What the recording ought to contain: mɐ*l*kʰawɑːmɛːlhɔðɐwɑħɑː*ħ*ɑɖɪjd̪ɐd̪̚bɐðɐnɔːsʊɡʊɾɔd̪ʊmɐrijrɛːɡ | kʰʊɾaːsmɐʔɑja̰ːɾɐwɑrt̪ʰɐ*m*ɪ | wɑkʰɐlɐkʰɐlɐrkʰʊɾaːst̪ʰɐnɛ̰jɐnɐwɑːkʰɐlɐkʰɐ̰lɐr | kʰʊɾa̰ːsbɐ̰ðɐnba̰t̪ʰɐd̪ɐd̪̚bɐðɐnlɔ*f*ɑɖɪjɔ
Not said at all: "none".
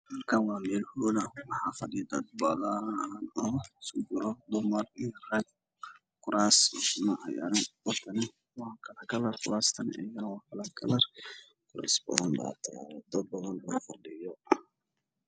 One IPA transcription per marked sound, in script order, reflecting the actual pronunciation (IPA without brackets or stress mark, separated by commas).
r, f, n, f